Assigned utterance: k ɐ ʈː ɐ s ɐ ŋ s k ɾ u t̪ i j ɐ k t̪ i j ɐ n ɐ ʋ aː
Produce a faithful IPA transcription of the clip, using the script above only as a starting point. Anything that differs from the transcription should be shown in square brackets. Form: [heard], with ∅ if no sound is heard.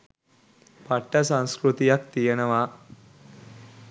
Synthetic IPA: [p] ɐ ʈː ɐ s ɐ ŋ s k ɾ u t̪ i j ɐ k t̪ i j ɐ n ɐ ʋ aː

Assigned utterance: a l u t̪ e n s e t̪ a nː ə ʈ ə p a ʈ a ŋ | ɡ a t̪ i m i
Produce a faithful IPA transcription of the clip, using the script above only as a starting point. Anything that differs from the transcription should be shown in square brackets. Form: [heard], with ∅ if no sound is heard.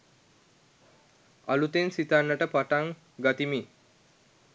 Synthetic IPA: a l u t̪ e n s [i] t̪ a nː ə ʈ ə p a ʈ a ŋ | ɡ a t̪ i m i

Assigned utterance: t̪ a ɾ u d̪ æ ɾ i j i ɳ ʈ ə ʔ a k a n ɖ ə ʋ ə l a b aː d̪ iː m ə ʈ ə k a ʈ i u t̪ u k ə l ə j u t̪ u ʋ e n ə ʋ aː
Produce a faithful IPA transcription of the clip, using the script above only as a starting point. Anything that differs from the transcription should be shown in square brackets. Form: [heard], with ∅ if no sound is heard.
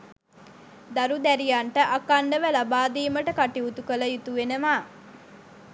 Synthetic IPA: [d̪] a ɾ u d̪ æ ɾ i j [a] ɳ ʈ ə ʔ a k a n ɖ ə ʋ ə l a b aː d̪ iː m ə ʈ ə k a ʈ i u t̪ u k ə l ə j u t̪ u ʋ e n ə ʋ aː

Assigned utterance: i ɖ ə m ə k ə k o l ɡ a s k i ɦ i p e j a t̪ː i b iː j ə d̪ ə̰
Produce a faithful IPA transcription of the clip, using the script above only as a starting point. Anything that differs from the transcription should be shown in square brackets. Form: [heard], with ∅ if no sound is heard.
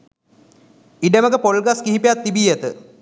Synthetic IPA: i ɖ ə m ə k ə [p] o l ɡ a s k i ɦ i p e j a t̪ː i b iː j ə [t̪] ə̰

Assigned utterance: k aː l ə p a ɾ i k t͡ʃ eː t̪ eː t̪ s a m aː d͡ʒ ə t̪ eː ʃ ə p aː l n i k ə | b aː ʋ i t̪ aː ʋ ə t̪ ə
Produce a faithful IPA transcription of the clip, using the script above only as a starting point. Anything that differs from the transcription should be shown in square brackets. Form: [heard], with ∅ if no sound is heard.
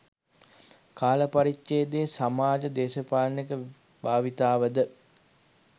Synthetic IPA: k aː l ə p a ɾ i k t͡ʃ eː [d̪] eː [∅] s a m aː d͡ʒ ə [d̪] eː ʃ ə p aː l n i k ə | b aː ʋ i t̪ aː ʋ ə [d̪] ə

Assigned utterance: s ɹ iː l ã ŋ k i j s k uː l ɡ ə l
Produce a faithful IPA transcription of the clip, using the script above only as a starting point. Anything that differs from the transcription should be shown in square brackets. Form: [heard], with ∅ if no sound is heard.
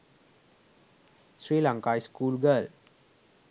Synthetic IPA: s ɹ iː l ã ŋ k [a] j s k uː l ɡ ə l

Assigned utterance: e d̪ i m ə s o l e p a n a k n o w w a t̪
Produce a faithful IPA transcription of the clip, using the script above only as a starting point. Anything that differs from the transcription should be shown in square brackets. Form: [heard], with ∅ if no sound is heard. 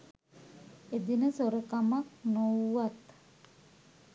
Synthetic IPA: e d̪ i [n] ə s o [ɾ] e [k] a [m] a k n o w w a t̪

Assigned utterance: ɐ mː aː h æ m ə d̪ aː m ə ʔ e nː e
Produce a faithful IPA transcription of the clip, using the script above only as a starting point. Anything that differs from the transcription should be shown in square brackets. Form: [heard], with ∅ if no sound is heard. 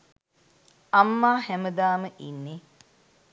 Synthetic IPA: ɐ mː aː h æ m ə d̪ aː m ə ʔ [i] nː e

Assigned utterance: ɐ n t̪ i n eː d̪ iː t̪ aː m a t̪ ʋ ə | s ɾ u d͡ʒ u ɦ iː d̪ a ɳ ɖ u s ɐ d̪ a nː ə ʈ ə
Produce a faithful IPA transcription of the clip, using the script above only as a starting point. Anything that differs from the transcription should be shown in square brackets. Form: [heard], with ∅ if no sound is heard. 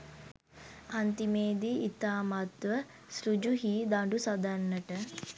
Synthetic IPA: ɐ n t̪ i [m] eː d̪ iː t̪ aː m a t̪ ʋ ə | s ɾ u d͡ʒ u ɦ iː d̪ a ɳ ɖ u s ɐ d̪ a nː ə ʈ ə

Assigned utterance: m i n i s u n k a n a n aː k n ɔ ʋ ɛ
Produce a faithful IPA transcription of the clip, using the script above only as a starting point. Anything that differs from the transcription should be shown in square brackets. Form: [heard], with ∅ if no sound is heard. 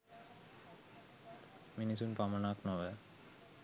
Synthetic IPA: m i n i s u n [p] a [m] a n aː k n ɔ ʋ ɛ

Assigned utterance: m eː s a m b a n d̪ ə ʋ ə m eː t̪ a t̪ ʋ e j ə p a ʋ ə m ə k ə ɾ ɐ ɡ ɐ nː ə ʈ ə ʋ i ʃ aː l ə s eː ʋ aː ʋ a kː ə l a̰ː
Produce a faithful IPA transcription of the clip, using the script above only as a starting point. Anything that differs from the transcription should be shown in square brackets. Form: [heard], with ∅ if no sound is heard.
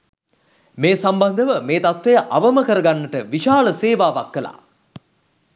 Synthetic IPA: m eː s a m b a n d̪ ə ʋ ə m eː t̪ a t̪ ʋ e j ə [ʔ] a ʋ ə m ə k ə ɾ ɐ ɡ [a] nː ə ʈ ə ʋ i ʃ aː l ə s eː ʋ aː ʋ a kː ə l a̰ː

